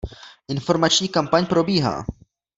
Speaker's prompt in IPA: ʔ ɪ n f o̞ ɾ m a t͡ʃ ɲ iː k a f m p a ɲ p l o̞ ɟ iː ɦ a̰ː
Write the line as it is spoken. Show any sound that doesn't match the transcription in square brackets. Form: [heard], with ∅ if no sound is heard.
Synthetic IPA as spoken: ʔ ɪ n f o̞ ɾ m a t͡ʃ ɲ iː k a [∅] m p a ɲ p [ɾ] o̞ [b] iː ɦ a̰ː

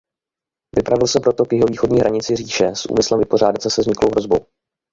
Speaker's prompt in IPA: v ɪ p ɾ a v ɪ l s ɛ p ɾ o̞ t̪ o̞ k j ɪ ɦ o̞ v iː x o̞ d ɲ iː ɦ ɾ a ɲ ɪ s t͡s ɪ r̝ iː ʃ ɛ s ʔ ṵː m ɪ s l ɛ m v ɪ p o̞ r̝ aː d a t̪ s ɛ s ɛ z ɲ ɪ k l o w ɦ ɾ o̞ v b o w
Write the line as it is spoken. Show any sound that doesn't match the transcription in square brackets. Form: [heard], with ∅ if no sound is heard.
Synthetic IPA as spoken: v ɪ p ɾ a v ɪ l s ɛ p ɾ o̞ t̪ o̞ k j ɪ ɦ o̞ v iː x o̞ d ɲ iː ɦ ɾ a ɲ ɪ [∅] t͡s ɪ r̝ iː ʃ ɛ s ʔ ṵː m ɪ s l ɛ m v ɪ p o̞ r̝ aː d a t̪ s ɛ s ɛ z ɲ ɪ k l o w ɦ ɾ o̞ [z] b o w

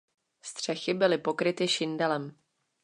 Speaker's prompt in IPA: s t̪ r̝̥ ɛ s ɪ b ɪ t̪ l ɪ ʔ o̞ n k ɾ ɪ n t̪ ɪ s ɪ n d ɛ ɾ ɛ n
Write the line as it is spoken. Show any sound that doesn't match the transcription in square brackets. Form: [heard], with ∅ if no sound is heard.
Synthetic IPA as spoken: s t̪ r̝̥ ɛ [x] ɪ b ɪ [∅] l ɪ [p] o̞ [∅] k ɾ ɪ [∅] t̪ ɪ [ʃ] ɪ n d ɛ [l] ɛ [m]

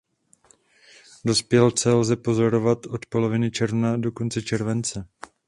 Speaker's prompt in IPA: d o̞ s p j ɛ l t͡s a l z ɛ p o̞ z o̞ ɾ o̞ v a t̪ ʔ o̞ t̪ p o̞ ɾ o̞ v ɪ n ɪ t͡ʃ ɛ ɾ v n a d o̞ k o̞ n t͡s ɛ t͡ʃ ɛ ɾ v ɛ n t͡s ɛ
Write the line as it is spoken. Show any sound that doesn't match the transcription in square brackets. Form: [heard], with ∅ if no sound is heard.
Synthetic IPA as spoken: d o̞ s p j ɛ l t͡s [ɛ] l z ɛ p o̞ z o̞ ɾ o̞ v a t̪ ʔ o̞ t̪ p o̞ [l] o̞ v ɪ n ɪ t͡ʃ ɛ ɾ v n a d o̞ k o̞ n t͡s ɛ t͡ʃ ɛ ɾ v ɛ n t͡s ɛ

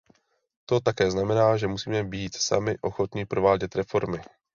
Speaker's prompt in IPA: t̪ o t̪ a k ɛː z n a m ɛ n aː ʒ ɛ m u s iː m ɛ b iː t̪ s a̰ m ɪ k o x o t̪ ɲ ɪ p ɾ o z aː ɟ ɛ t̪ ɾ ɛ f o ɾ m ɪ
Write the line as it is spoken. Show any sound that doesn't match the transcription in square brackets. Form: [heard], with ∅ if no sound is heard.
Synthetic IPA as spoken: t̪ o t̪ a k ɛː z n a m ɛ n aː ʒ ɛ m u s iː m ɛ b iː t̪ s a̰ m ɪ [ʔ] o x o t̪ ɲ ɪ p ɾ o [v] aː ɟ ɛ t̪ ɾ ɛ f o ɾ m ɪ

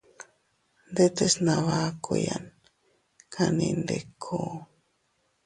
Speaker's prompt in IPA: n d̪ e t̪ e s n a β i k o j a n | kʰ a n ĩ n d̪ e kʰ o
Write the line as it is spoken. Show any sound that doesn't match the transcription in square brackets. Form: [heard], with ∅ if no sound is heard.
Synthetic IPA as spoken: n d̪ e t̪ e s n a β [a] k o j a n | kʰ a n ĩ n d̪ e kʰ o

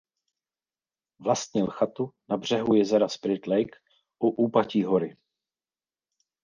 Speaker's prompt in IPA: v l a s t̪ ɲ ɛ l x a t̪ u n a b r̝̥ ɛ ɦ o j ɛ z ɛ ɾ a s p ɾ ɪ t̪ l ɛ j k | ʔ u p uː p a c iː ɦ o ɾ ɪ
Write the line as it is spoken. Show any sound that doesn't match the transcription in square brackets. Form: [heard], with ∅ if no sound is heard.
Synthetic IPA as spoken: v l a s t̪ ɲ ɛ l x a t̪ u n a b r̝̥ ɛ ɦ [u] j ɛ z ɛ ɾ a s p ɾ ɪ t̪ l ɛ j k | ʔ u [ʔ] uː p a c iː ɦ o ɾ ɪ

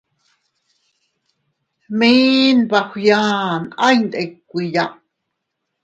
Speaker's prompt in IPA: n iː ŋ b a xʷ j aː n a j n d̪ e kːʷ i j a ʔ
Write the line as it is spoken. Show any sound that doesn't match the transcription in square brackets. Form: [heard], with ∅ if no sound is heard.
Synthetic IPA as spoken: [m] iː [n] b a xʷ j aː n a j n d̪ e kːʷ i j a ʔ

